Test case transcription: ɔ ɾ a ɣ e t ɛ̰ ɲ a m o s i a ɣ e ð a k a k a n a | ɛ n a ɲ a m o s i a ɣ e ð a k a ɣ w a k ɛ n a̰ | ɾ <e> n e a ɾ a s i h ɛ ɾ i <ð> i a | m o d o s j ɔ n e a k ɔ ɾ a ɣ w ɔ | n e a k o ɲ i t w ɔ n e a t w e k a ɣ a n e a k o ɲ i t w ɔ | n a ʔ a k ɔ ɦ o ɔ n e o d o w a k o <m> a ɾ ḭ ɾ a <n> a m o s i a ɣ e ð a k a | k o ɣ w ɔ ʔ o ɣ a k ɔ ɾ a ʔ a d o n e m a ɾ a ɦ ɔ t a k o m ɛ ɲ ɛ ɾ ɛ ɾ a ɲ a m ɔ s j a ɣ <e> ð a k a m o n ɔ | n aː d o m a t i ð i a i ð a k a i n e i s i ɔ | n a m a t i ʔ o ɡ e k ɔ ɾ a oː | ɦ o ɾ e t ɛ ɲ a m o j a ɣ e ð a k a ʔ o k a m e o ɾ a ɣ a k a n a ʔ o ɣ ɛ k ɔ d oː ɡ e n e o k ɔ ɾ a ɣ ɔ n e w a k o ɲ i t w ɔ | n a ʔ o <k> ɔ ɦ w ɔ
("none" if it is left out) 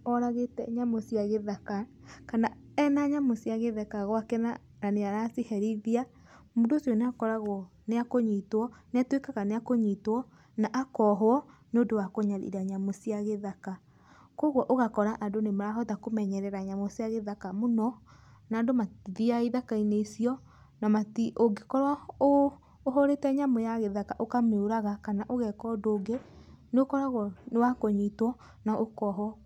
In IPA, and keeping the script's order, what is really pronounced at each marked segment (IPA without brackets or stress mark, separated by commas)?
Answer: a, ð, ɲ, ɲ, e, k